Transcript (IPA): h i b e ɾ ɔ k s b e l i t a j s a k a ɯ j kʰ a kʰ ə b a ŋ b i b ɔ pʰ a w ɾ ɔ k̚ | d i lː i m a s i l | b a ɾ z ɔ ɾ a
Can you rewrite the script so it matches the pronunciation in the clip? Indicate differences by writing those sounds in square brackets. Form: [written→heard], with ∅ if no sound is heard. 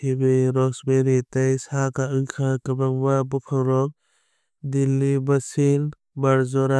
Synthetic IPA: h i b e ɾ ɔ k s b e [l→ɾ] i t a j s a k a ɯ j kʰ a [kʰ→k] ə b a ŋ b [i→a] b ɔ pʰ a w ɾ ɔ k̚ | d i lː i [m→b] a s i l | b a ɾ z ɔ ɾ a